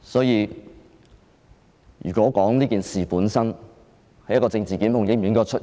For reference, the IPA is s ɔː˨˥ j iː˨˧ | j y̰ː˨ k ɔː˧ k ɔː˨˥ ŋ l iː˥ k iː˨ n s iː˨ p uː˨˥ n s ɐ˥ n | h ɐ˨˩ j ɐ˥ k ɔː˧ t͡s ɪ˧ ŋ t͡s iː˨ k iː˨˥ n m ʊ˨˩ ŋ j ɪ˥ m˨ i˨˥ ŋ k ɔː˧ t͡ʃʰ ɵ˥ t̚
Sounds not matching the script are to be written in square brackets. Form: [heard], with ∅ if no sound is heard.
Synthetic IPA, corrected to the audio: s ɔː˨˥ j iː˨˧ | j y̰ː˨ k [ɔː˨˥] k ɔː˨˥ ŋ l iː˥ k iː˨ n s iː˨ p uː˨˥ n s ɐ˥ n | h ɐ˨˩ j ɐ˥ k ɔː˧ t͡s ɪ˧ ŋ t͡s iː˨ k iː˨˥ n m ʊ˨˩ ŋ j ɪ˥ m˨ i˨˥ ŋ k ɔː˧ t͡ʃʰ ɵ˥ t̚